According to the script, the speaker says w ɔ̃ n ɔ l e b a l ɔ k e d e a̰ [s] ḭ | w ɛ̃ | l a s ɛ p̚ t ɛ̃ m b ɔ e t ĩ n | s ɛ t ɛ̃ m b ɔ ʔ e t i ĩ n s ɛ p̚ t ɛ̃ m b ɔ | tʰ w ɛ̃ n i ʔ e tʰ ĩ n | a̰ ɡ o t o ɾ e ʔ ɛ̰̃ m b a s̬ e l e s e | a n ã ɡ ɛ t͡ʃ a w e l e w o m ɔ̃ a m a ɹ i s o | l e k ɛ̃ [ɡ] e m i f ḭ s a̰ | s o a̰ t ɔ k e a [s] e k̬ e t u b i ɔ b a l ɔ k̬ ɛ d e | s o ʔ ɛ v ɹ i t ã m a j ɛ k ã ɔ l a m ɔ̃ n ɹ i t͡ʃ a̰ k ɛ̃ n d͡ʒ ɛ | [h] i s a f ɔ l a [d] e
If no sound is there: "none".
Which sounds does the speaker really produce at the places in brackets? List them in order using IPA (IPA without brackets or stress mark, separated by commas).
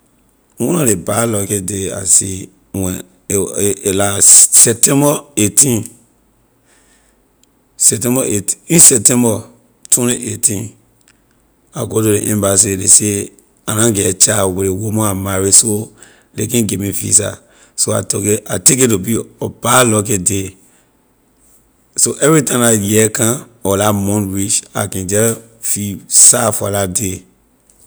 s, ɡ, t, f, d